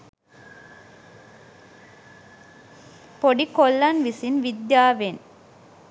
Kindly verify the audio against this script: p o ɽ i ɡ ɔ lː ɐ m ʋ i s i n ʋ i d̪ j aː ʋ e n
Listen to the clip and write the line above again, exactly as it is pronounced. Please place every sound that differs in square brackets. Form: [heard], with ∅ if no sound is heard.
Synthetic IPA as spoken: p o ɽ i [k] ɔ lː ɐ [n] ʋ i s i n ʋ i d̪ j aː ʋ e n